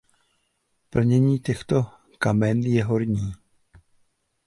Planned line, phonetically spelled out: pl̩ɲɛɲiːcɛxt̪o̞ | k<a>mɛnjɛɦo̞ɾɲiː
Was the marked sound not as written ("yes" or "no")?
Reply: no